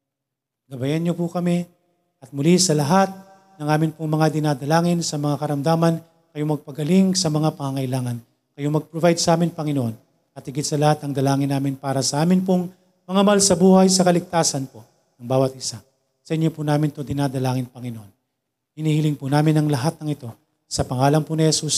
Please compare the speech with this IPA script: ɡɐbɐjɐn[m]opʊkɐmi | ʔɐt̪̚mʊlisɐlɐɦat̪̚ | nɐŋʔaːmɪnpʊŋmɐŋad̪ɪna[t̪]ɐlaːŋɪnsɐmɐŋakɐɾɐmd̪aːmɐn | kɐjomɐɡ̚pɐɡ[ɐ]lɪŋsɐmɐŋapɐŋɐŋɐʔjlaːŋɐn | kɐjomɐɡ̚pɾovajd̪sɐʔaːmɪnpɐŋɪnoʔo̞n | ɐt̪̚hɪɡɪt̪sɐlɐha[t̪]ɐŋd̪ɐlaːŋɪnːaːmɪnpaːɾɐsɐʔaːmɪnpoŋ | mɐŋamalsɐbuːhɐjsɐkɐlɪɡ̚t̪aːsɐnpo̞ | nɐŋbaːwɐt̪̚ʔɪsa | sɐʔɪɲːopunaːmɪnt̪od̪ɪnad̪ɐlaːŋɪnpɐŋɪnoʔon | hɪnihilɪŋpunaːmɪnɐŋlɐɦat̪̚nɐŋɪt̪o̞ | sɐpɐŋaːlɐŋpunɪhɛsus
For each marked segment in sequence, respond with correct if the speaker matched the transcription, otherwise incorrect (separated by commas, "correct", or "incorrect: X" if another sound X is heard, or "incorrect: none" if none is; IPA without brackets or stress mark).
incorrect: ɲ, incorrect: d̪, correct, correct